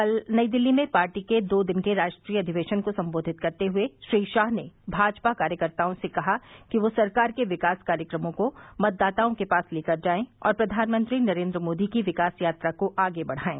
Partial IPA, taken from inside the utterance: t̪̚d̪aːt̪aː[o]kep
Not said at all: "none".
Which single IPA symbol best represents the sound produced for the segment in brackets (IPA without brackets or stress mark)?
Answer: õ